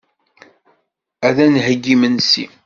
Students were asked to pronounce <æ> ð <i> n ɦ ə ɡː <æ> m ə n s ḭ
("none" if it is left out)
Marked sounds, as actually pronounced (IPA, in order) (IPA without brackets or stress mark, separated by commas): æ, æ, i